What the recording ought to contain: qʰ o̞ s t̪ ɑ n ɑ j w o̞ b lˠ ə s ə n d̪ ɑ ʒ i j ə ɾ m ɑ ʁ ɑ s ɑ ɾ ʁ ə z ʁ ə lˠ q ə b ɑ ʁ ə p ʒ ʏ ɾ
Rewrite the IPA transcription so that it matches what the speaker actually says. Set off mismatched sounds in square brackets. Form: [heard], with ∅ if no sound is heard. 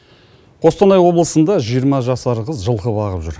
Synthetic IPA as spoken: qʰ o̞ s t̪ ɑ n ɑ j w o̞ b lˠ ə s ə n d̪ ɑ ʒ i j ə ɾ m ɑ [ʒ] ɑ s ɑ ɾ ʁ ə z [ʒ] ə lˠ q ə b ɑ ʁ ə p ʒ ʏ ɾ

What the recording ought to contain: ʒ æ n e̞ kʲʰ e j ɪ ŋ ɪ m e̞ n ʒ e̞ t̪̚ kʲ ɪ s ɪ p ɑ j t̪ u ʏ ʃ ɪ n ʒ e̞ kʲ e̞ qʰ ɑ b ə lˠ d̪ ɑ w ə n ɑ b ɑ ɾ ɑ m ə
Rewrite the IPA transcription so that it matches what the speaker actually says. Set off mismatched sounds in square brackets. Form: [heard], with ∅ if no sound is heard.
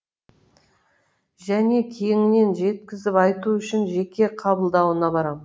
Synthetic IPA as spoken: ʒ æ n e̞ kʲʰ e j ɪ ŋ ɪ [n] e̞ n ʒ e̞ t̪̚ kʲ ɪ [z] ɪ p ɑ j t̪ u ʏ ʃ ɪ n ʒ e̞ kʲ e̞ qʰ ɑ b ə lˠ d̪ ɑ w ə n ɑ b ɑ ɾ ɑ m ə

